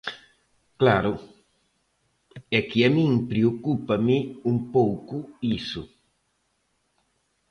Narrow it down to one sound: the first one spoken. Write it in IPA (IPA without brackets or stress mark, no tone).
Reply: k